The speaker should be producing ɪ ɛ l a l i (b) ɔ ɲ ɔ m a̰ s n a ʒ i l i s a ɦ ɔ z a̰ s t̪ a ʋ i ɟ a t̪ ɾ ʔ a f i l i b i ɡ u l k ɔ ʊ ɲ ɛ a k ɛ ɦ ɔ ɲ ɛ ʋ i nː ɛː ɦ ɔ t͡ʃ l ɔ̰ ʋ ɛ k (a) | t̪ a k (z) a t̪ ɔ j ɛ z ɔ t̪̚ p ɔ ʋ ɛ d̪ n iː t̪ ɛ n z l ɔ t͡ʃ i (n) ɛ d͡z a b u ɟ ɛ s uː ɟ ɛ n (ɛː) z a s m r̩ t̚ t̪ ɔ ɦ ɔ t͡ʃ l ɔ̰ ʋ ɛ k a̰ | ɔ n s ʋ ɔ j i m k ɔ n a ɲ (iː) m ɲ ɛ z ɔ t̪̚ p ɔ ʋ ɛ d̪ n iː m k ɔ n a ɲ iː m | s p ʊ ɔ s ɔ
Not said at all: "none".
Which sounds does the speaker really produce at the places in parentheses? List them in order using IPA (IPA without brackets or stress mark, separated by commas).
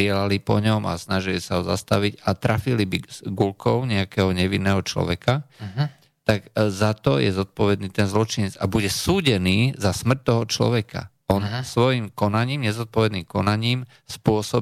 p, a, z, ɲ, iː, iː